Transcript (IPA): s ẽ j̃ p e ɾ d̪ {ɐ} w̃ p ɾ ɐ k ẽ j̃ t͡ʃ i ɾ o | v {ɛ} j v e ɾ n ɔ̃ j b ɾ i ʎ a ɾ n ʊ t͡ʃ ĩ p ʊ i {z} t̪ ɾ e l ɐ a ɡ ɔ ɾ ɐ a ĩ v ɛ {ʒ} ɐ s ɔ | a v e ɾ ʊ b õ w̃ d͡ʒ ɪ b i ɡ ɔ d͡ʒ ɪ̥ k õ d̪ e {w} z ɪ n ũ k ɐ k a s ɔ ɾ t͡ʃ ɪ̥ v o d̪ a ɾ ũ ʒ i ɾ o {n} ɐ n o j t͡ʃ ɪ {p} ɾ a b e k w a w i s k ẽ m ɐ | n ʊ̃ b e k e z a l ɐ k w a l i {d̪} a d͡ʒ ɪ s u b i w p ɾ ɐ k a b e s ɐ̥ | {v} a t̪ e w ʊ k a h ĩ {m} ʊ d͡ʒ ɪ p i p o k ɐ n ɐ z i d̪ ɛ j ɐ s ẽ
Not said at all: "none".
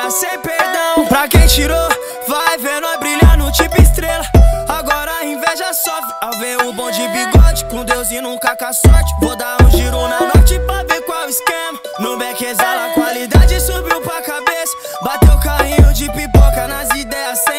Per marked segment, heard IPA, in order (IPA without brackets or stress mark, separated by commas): ɐ̃, a, s, ʒ, w, n, p, d̪, b, ɲ